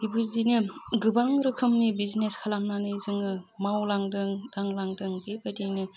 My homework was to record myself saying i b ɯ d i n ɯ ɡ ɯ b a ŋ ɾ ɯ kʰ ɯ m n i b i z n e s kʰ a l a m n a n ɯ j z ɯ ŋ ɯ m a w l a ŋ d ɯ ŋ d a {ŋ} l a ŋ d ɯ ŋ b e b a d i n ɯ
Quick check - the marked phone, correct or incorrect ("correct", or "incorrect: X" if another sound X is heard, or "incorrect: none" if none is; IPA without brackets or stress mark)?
correct